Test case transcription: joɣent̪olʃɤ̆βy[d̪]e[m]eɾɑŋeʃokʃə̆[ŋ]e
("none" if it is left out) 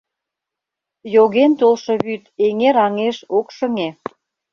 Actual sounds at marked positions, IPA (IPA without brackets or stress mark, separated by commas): t̪, ŋ, ŋ